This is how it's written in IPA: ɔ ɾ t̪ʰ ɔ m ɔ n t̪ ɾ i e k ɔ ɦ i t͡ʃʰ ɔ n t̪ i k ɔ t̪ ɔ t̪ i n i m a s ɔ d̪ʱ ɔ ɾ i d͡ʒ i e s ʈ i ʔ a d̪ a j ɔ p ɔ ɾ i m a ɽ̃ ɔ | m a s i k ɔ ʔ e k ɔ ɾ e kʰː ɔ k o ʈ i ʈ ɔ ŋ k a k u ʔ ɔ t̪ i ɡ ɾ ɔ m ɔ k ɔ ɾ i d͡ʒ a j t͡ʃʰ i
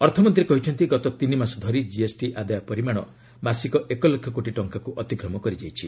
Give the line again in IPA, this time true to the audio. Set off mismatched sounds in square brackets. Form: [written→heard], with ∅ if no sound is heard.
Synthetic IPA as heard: ɔ ɾ t̪ʰ ɔ m ɔ n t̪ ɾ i e k ɔ ɦ i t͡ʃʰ ɔ n t̪ i [k→ɡ] ɔ t̪ ɔ t̪ i n i m a s ɔ d̪ʱ ɔ ɾ i d͡ʒ i e s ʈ i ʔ a d̪ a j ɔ p ɔ ɾ i m a ɽ̃ ɔ | m a s i k ɔ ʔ e k ɔ [ɾ→l] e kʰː ɔ k o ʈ i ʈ ɔ ŋ k a k u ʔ ɔ t̪ i ɡ ɾ ɔ m ɔ k ɔ ɾ i d͡ʒ a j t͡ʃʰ i